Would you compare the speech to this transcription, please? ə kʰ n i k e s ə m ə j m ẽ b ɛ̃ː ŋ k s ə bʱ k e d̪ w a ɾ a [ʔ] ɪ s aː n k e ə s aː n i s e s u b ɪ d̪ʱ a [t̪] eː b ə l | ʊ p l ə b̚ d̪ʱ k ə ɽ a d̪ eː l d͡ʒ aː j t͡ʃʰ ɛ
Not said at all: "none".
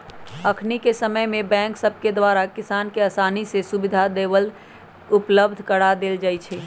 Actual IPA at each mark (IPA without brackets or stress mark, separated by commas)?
k, d̪